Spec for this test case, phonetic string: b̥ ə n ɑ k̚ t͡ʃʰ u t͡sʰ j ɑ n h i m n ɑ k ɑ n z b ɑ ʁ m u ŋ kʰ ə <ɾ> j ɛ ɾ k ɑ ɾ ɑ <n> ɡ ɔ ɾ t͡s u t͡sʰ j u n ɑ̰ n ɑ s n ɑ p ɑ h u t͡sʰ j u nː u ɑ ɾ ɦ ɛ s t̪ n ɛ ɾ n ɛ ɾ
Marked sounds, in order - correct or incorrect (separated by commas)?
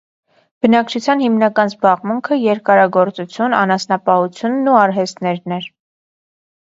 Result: incorrect, incorrect